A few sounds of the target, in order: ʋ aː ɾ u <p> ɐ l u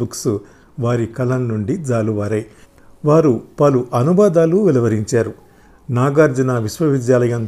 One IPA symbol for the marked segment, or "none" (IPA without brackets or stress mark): p